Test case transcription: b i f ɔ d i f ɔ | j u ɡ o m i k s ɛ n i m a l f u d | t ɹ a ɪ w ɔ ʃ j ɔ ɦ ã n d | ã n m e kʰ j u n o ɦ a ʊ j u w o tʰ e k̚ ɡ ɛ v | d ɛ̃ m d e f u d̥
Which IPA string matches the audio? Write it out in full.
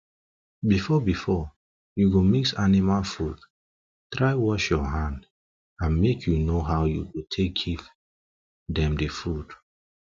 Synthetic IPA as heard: b i f ɔ b i f ɔ | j u ɡ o m i k s a n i m a l f u d | t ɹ a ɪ w ɔ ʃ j ɔ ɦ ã n d | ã n m e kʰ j u n o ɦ a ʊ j u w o tʰ e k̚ ɡ i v | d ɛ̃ m d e f u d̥